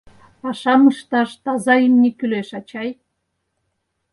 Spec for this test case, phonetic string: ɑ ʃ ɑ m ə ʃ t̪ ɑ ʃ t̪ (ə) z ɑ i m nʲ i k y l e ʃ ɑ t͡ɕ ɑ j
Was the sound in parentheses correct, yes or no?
no